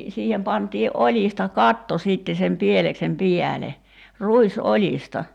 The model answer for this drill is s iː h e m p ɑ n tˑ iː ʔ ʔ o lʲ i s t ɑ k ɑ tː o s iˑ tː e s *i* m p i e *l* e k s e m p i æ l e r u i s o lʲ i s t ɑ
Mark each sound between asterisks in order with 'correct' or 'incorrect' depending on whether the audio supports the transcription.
incorrect: e, correct

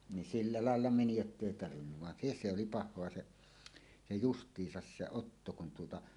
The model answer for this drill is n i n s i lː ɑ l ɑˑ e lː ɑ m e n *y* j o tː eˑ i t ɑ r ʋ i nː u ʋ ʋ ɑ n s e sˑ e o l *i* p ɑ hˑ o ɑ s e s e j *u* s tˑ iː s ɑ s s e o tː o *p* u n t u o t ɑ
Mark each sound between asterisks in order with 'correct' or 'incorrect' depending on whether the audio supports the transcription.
incorrect: i, correct, correct, incorrect: k

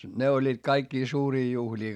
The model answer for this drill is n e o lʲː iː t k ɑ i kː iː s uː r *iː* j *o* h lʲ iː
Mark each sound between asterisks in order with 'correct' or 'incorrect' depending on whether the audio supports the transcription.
correct, incorrect: u

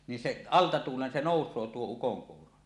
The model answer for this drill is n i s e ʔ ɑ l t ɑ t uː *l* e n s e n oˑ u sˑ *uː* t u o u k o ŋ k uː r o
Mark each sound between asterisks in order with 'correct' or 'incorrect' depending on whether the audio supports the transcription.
correct, incorrect: oː

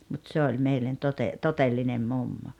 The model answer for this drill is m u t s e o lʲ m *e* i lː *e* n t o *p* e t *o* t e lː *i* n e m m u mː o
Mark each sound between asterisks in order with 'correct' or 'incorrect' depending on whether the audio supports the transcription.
correct, correct, incorrect: t, correct, correct

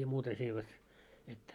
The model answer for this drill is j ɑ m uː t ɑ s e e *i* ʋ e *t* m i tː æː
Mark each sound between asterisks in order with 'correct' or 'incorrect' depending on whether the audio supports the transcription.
correct, correct

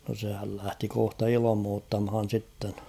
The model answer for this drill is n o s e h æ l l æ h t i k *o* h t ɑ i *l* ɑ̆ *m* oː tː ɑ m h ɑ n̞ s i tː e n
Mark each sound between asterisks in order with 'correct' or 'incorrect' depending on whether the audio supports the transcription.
correct, correct, correct

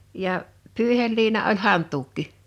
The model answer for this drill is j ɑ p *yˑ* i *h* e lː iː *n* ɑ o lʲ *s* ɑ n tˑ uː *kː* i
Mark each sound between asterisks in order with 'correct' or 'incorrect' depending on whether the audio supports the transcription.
correct, correct, correct, incorrect: h, correct

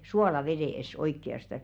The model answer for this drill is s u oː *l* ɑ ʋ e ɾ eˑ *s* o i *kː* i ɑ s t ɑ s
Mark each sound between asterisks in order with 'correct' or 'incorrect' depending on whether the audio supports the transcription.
correct, correct, correct

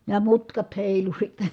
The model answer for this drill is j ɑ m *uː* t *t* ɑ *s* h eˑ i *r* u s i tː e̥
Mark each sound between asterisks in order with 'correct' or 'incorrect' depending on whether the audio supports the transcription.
incorrect: u, incorrect: k, incorrect: t, incorrect: l

